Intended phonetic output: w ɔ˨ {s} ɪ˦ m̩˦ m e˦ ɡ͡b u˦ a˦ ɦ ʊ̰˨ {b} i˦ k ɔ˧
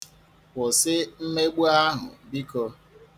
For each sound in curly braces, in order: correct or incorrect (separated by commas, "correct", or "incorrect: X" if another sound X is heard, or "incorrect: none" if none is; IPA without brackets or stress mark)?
correct, correct